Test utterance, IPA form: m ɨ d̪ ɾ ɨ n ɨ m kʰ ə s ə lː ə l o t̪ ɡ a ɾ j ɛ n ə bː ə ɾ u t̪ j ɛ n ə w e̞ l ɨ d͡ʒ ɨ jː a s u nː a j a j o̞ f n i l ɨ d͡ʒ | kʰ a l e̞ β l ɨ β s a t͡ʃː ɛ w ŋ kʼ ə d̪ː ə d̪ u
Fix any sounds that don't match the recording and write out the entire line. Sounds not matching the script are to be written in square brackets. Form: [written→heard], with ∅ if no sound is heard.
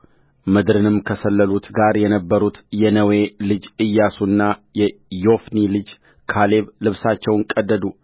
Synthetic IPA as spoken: m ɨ d̪ ɾ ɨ n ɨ m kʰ ə s ə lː ə l [o→u] t̪ ɡ a ɾ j ɛ n ə bː ə ɾ u t̪ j ɛ n ə w e̞ l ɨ d͡ʒ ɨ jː a s u nː a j [a→ɛ] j o̞ f n i l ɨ d͡ʒ | kʰ a l e̞ β l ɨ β s a t͡ʃː ɛ w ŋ kʼ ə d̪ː ə d̪ u